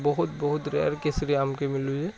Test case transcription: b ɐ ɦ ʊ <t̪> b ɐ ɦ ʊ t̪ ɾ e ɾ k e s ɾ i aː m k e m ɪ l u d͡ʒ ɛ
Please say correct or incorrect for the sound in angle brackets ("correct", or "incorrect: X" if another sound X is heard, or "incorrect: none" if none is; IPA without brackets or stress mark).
correct